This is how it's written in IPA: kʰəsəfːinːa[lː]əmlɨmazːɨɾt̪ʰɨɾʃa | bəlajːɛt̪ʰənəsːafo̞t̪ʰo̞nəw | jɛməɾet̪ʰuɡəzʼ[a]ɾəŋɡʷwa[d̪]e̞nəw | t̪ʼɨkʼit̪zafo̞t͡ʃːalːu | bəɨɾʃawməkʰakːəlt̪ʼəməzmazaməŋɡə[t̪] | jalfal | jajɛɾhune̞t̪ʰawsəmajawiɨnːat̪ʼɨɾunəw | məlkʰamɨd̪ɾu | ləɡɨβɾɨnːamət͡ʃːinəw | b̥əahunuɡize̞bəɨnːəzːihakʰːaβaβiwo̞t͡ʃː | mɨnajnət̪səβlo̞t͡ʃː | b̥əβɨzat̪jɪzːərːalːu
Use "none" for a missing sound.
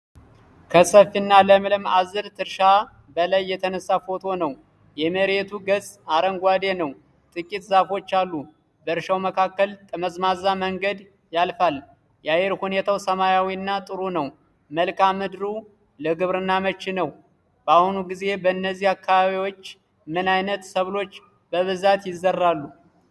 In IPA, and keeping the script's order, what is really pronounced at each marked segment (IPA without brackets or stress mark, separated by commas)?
l, a, d̪, d̪